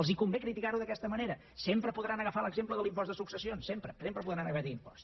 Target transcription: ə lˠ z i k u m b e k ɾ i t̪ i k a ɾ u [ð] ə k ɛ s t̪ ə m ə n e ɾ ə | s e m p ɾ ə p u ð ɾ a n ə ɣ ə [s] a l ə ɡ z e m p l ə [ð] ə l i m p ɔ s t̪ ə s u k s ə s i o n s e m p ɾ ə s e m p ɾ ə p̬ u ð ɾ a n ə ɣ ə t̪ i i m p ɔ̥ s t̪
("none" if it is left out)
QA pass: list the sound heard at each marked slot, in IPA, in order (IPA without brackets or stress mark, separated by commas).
ð, f, ð